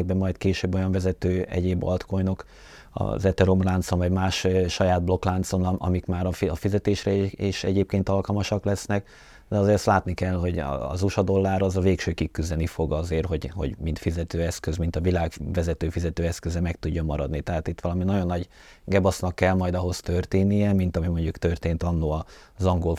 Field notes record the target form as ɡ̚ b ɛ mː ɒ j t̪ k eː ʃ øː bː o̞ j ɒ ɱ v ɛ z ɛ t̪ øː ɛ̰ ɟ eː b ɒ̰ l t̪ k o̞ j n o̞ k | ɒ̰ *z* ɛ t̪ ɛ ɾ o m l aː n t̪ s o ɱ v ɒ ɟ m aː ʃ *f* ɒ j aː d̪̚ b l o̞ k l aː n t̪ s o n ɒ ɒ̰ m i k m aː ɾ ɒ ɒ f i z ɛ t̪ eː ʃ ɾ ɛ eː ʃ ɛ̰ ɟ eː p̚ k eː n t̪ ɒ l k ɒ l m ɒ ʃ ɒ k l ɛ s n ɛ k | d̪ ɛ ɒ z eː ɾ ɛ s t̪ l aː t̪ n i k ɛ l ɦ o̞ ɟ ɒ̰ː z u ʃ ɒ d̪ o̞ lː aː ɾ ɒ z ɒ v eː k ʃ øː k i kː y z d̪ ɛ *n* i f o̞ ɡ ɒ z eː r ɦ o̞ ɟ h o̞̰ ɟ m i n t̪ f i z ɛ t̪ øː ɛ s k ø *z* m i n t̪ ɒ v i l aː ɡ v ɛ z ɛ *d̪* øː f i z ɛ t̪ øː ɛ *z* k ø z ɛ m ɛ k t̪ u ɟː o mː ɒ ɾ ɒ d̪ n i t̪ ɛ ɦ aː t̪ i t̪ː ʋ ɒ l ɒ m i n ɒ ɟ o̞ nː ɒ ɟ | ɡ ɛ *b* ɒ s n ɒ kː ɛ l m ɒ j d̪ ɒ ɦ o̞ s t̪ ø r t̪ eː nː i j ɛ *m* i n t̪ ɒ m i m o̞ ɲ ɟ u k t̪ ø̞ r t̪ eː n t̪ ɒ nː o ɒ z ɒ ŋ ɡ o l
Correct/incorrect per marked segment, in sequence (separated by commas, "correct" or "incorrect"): correct, incorrect, correct, correct, incorrect, incorrect, correct, correct